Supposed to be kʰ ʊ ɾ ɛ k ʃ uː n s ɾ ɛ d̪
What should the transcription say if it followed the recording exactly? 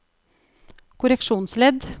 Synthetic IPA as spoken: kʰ ʊ ɾ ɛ k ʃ uː n s l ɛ d̪

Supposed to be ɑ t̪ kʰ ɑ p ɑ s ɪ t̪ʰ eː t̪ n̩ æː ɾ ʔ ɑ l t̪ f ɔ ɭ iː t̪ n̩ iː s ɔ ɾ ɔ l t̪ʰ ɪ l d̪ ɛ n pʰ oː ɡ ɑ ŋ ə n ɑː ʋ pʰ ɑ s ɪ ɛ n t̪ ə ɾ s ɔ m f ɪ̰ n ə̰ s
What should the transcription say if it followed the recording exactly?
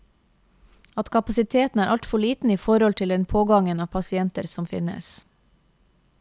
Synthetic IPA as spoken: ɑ t̪ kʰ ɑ p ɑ s ɪ t̪ʰ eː t̪ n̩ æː ɾ ʔ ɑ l t̪ f ɔ ɭ iː t̪ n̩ iː f ɔ ɾ ɔ l t̪ʰ ɪ l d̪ ɛ n pʰ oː ɡ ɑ ŋ ə n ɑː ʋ pʰ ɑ s ɪ ɛ n t̪ ə ɾ s ɔ m f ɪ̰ n ə̰ s

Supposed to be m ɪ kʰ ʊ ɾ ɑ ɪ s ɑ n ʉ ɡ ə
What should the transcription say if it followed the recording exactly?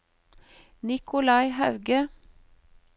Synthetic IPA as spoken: n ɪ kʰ ʊ l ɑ ɪ h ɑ ʉ ɡ ə

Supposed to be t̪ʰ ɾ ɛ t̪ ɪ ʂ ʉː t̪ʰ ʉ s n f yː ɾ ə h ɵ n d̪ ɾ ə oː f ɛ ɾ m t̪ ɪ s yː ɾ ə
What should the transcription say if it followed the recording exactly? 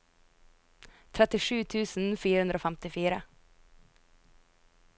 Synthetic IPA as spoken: t̪ʰ ɾ ɛ t̪ ɪ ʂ ʉː t̪ʰ ʉː s n f yː ɾ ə h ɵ n d̪ ɾ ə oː f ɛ m t̪ ɪ f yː ɾ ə

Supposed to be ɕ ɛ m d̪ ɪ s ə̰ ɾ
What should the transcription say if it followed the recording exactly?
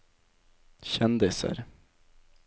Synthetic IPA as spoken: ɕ ɛ n d̪ ɪ s ə̰ ɾ

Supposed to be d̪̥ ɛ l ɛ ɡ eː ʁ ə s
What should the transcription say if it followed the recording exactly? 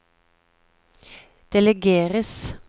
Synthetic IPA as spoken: d̪̥ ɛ l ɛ ɡ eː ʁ ə s

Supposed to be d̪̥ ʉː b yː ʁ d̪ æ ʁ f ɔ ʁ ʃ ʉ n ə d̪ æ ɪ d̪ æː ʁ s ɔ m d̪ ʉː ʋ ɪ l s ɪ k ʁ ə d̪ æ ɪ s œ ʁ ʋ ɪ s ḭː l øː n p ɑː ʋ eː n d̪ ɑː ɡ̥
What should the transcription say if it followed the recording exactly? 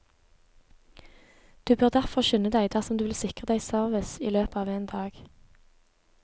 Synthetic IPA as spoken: d̪̥ ʉː b øː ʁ d̪ æ ʁ f ɔ ʁ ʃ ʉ n ə d̪ æ ɪ d̪ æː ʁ s ɔ m d̪ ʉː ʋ ɪ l s ɪ k ʁ ə d̪ æ ɪ s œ ʁ ʋ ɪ s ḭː l øː p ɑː ʋ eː n d̪ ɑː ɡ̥

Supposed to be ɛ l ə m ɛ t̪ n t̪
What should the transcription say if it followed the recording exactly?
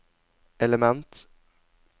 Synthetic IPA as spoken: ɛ l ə m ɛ n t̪

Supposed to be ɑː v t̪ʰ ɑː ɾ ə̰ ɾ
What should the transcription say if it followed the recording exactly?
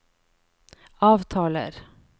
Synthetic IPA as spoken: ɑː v t̪ʰ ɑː l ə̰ ɾ

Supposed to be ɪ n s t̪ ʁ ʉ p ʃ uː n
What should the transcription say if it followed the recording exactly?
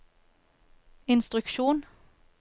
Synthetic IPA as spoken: ɪ n s t̪ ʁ ʉ k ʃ uː n

